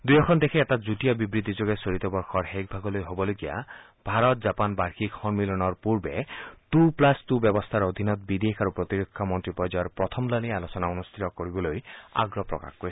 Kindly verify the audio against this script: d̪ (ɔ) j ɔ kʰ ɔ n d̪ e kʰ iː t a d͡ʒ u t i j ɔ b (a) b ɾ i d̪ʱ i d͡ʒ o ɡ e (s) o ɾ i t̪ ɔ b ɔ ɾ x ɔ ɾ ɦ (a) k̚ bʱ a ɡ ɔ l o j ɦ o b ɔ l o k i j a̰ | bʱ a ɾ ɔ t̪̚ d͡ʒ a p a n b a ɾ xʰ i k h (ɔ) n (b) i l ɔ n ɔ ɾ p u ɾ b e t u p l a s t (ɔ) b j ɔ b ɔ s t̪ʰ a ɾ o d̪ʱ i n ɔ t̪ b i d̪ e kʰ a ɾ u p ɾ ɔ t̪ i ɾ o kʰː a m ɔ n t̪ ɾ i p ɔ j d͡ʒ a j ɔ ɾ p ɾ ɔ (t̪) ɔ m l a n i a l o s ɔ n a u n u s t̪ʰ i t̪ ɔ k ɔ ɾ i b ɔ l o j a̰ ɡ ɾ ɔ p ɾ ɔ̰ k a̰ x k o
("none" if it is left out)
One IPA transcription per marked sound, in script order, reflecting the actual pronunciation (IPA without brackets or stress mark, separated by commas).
u, i, s, e, ɔ, m, u, t̪ʰ